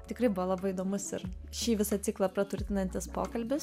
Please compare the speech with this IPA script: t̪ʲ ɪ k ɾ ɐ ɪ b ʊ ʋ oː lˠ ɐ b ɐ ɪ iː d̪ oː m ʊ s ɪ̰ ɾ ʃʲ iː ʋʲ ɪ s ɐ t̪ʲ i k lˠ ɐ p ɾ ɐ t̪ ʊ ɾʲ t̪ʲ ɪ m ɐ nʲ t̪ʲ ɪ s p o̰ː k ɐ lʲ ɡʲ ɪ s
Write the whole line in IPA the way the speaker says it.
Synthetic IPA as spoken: t̪ʲ ɪ k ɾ ɐ ɪ b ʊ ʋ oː lˠ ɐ b ɐ ɪ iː d̪ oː m ʊ s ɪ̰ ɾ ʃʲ iː ʋʲ ɪ s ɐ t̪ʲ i k lˠ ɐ p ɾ ɐ t̪ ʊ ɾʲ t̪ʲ ɪ n ɐ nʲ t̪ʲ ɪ s p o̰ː k ɐ lʲ bʲ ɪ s